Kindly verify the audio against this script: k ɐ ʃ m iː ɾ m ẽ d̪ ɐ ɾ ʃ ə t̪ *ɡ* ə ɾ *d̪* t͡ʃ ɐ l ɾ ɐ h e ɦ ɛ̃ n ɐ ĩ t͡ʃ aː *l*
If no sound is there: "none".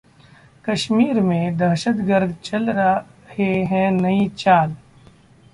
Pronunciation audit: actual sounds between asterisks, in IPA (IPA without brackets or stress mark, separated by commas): ɡ, d̪, l